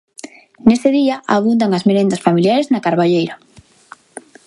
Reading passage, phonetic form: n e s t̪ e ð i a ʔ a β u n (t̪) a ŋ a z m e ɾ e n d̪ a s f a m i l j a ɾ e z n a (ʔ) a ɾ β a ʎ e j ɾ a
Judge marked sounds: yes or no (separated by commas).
no, no